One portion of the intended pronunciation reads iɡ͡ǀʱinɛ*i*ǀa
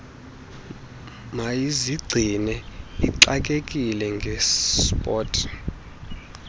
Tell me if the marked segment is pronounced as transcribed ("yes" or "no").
yes